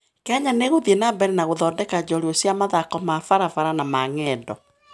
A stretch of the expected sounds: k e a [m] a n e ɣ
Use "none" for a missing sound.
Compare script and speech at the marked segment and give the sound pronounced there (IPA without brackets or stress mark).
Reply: ɲ